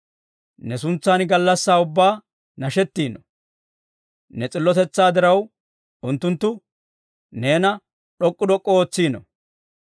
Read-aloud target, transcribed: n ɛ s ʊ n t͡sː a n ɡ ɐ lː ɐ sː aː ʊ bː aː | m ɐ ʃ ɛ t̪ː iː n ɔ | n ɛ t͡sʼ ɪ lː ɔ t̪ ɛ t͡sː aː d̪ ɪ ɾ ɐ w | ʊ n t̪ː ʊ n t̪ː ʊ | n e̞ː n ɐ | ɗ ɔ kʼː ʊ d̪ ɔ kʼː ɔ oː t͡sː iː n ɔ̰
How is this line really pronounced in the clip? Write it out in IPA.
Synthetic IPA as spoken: n ɛ s ʊ n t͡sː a n ɡ ɐ lː ɐ sː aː ʊ bː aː | n ɐ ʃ ɛ t̪ː iː n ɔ | n ɛ t͡sʼ ɪ lː ɔ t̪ ɛ t͡sː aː d̪ ɪ ɾ ɐ w | ʊ n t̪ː ʊ n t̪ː ʊ | n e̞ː n ɐ | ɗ ɔ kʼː ʊ d̪ ɔ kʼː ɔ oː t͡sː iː n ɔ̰